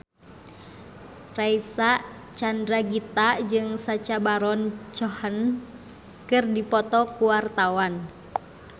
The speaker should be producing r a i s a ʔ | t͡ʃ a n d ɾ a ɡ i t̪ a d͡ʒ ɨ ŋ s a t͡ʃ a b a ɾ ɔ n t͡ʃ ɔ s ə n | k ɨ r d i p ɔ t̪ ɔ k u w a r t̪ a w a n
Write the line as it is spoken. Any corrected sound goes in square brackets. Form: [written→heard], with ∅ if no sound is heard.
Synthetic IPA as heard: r a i s a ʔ | t͡ʃ a n d ɾ a ɡ i t̪ a d͡ʒ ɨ ŋ s a t͡ʃ a b a ɾ ɔ n t͡ʃ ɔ [s→h] ə n | k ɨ r d i p ɔ t̪ ɔ k u w a r t̪ a w a n

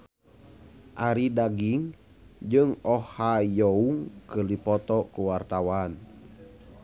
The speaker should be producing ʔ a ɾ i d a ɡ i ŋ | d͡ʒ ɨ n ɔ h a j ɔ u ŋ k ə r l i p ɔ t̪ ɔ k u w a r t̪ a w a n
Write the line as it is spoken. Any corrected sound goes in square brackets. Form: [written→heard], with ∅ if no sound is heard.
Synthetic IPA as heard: ʔ a ɾ i d a ɡ i ŋ | d͡ʒ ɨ [n→ŋ] ɔ h a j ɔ u ŋ k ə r l i p ɔ t̪ ɔ k u w a r t̪ a w a n

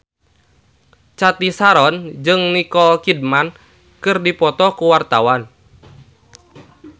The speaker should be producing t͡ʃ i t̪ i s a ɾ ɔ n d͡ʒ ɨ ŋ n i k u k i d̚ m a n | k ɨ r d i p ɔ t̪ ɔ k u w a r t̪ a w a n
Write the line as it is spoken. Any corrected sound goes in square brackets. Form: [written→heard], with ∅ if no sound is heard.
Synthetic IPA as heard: t͡ʃ [i→a] t̪ i s a ɾ ɔ n d͡ʒ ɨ ŋ n i k [u→ɔ] k i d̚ m a n | k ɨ r d i p ɔ t̪ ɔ k u w a r t̪ a w a n

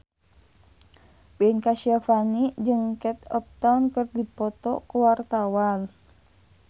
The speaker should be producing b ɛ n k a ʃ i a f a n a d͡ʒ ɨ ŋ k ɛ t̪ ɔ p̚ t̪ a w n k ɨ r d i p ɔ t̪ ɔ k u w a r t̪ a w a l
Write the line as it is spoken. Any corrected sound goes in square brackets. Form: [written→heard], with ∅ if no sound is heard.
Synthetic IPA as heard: b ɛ n k a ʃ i a f a n [a→i] d͡ʒ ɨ ŋ k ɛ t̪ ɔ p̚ t̪ a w n k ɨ r d i p ɔ t̪ ɔ k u w a r t̪ a w a l

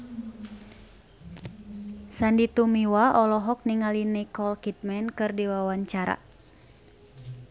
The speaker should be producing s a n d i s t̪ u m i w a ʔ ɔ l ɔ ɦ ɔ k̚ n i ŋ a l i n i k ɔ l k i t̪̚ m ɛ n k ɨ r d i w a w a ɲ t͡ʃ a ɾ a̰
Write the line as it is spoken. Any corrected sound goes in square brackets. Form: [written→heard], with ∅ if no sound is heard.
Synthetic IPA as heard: s a n d i [s→∅] t̪ u m i w a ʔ ɔ l ɔ ɦ ɔ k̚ n i ŋ a l i n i k ɔ l k i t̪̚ m ɛ n k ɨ r d i w a w a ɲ t͡ʃ a ɾ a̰

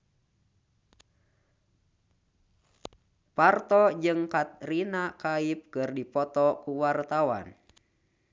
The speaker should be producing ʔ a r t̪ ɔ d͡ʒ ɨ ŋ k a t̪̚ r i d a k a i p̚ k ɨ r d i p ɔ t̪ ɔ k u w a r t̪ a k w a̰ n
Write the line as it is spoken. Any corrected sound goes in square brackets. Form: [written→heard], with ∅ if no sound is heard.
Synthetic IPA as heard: [ʔ→p] a r t̪ ɔ d͡ʒ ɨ ŋ k a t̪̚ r i [d→n] a k a i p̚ k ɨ r d i p ɔ t̪ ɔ k u w a r t̪ a [k→∅] w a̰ n

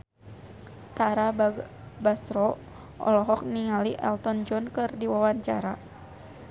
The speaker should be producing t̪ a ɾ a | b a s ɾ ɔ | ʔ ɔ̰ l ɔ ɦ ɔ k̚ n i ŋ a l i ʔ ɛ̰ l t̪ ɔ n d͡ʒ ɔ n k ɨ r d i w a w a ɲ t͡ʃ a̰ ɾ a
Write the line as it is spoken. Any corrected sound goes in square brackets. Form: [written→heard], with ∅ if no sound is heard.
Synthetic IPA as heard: t̪ a ɾ a | b a s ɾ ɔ | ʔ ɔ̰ l ɔ ɦ ɔ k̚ n i ŋ a l i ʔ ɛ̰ l t̪ ɔ n d͡ʒ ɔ n k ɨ r d i w a w a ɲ t͡ʃ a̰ ɾ a

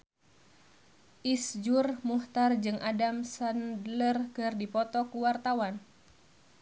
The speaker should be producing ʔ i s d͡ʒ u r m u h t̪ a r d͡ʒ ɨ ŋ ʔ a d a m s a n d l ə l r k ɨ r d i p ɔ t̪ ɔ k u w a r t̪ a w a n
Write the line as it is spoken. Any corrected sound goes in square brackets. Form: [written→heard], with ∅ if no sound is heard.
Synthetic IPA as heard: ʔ i s d͡ʒ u r m u h t̪ a r d͡ʒ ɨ ŋ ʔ a d a m s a n d l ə [l→∅] r k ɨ r d i p ɔ t̪ ɔ k u w a r t̪ a w a n

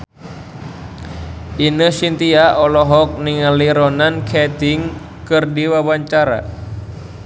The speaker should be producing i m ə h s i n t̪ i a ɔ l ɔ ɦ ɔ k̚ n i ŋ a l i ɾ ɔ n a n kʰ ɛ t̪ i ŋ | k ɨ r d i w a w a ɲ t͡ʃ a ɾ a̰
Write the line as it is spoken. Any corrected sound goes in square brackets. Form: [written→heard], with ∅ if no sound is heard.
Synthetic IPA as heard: i [m→n] ə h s i n t̪ i a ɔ l ɔ ɦ ɔ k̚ n i ŋ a l i ɾ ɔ n a n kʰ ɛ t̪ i ŋ | k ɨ r d i w a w a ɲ t͡ʃ a ɾ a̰

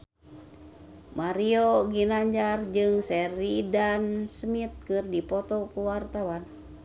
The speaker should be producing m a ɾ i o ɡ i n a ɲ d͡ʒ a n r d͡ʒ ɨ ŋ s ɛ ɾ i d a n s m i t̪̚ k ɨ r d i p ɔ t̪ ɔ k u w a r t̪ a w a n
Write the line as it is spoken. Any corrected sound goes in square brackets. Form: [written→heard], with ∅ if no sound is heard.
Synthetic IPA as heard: m a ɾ i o ɡ i n a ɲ d͡ʒ a [n→∅] r d͡ʒ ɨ ŋ s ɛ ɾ i d a n s m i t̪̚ k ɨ r d i p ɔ t̪ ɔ k u w a r t̪ a w a n

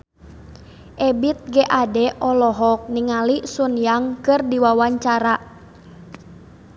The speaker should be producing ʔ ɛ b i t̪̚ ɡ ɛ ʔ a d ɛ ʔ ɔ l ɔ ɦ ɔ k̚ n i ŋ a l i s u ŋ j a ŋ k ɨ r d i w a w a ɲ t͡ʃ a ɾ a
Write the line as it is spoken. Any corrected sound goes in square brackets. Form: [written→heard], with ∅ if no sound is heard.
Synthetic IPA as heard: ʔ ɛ b i t̪̚ ɡ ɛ ʔ a d ɛ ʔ ɔ l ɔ ɦ ɔ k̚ n i ŋ a l i s u [ŋ→n] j a ŋ k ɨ r d i w a w a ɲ t͡ʃ a ɾ a

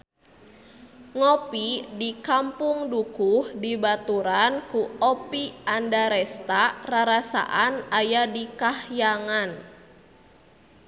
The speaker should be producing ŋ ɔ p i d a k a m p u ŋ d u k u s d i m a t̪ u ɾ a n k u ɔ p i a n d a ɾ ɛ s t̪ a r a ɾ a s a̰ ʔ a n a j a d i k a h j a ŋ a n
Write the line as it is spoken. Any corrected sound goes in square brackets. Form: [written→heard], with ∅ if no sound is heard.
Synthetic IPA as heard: ŋ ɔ p i d [a→i] k a m p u ŋ d u k u [s→h] d i [m→b] a t̪ u ɾ a n k u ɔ p i a n d a ɾ ɛ s t̪ a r a ɾ a s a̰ ʔ a n a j a d i k a h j a ŋ a n

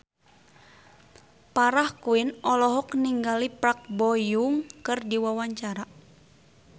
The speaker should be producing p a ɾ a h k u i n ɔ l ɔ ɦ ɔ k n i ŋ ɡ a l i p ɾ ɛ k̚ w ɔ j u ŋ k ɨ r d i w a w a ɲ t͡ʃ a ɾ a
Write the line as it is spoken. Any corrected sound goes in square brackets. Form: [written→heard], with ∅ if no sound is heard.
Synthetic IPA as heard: p a ɾ a h k u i n ɔ l ɔ ɦ ɔ k n i ŋ ɡ a l i p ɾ [ɛ→a] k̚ [w→b] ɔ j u ŋ k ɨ r d i w a w a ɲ t͡ʃ a ɾ a

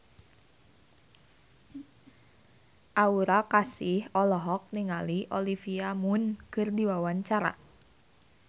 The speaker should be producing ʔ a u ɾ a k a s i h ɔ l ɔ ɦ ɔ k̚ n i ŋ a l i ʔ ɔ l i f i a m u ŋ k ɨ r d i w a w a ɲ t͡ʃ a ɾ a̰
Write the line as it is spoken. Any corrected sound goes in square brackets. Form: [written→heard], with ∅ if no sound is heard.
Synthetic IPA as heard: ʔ a u ɾ a k a s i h ɔ l ɔ ɦ ɔ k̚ n i ŋ a l i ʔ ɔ l i f i a m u [ŋ→n] k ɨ r d i w a w a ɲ t͡ʃ a ɾ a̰

